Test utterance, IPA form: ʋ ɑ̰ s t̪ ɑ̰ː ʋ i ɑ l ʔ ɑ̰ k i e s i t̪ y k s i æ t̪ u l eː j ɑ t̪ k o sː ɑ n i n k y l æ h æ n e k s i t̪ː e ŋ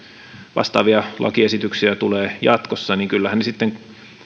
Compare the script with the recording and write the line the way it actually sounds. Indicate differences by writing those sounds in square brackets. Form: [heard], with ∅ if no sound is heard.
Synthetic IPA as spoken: ʋ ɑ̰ s t̪ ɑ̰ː ʋ i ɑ l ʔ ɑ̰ k i e s i t̪ y k s i æ t̪ u l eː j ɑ t̪ k o sː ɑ n i [ŋ] k y [lː] æ h æ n e [∅] s i t̪ː e ŋ